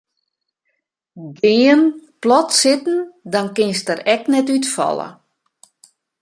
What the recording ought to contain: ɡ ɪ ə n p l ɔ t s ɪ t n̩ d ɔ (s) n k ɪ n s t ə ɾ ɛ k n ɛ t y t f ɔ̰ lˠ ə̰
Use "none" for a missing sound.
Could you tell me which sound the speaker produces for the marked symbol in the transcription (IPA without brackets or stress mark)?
none